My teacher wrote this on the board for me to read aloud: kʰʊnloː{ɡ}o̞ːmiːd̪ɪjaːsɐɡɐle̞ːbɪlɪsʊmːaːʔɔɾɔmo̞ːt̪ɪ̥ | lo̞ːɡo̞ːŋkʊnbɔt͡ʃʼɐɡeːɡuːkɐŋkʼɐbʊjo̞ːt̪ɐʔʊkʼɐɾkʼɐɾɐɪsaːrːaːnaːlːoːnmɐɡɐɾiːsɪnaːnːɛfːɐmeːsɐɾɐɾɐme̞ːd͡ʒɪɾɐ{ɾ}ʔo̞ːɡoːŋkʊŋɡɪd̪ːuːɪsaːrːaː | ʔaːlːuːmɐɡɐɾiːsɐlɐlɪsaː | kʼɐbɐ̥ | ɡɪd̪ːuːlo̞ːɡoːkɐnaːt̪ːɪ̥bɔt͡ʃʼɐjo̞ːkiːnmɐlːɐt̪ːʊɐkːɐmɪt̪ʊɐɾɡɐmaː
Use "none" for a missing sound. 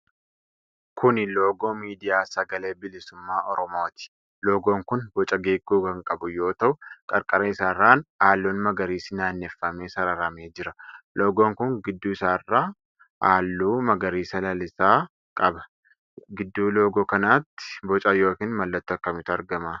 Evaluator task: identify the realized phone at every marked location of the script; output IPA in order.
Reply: ɡ, l

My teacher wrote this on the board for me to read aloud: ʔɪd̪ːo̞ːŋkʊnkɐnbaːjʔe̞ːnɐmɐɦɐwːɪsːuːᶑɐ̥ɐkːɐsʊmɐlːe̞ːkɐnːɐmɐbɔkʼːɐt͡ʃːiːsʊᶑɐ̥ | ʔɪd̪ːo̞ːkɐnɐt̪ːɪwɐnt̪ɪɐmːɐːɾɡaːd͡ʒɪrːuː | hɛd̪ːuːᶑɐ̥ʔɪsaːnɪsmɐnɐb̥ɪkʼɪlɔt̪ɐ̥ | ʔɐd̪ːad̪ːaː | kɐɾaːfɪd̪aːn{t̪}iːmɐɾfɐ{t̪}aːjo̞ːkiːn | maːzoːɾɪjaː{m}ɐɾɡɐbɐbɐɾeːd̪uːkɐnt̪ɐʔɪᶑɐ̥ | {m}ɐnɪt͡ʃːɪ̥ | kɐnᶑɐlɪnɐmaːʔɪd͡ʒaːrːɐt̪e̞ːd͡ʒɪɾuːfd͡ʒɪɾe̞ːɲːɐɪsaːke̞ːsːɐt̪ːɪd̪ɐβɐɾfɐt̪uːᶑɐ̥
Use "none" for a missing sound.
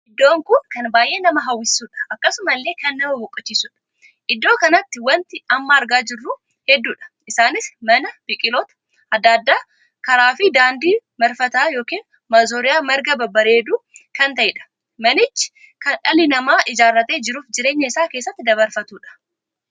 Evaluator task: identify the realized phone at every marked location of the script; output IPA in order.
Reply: d̪, t̪, m, m

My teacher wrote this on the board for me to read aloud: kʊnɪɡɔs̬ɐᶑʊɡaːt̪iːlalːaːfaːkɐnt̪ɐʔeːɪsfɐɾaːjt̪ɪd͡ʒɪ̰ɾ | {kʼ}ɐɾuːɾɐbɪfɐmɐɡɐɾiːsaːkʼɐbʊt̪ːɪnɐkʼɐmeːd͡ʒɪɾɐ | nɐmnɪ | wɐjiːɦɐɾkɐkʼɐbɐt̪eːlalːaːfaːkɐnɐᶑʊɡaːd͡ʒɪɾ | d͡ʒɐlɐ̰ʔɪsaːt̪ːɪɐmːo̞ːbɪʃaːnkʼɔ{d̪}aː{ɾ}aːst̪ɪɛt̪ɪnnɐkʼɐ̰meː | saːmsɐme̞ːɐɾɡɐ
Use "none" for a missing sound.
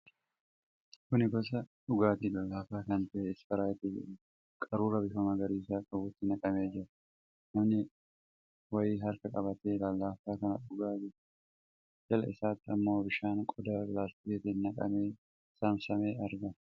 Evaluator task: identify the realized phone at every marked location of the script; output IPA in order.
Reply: kʼ, d̪, l

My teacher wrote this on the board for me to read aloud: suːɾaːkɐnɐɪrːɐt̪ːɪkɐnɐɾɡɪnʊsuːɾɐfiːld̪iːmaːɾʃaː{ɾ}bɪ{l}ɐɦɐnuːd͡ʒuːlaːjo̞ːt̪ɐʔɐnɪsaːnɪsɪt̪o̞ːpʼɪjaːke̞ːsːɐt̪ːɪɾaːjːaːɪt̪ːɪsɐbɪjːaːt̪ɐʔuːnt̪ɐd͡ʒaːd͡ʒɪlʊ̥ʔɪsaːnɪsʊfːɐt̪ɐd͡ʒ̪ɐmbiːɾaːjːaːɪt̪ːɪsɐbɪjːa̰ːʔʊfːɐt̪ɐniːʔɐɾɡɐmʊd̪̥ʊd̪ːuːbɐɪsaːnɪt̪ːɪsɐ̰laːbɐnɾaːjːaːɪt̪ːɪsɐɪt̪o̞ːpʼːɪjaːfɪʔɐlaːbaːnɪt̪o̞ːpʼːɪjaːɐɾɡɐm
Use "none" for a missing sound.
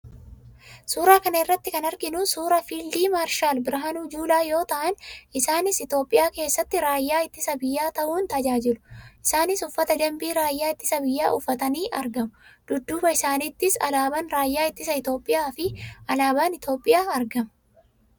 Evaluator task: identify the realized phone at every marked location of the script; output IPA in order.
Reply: l, ɾ

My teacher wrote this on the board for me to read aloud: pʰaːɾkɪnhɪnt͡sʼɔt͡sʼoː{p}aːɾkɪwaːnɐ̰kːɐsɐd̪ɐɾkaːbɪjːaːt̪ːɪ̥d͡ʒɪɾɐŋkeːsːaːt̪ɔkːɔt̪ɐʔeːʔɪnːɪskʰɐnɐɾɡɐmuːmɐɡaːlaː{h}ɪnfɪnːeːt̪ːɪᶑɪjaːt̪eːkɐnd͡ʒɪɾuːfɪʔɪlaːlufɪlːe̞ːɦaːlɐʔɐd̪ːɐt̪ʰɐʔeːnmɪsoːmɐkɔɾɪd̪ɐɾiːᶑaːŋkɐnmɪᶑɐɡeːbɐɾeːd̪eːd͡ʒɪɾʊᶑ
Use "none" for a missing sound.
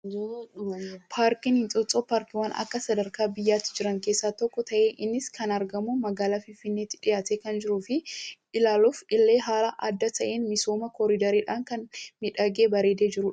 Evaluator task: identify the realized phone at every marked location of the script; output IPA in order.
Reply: p, f

